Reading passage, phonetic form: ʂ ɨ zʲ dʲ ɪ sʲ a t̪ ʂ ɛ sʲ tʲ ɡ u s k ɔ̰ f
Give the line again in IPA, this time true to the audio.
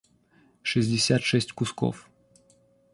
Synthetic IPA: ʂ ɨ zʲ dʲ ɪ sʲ a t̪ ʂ ɛ sʲ tʲ k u s k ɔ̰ f